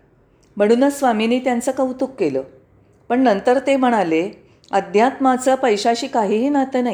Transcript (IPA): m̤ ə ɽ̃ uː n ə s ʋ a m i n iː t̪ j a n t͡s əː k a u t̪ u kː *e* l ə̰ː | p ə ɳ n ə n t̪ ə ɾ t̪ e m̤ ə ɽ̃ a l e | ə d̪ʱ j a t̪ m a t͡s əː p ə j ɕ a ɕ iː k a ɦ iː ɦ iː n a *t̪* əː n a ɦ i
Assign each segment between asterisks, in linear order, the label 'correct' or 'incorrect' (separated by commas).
correct, correct